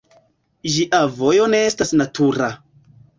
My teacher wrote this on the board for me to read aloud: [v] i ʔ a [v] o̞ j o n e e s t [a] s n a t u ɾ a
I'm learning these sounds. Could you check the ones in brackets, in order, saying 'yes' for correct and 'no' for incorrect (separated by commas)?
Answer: no, yes, yes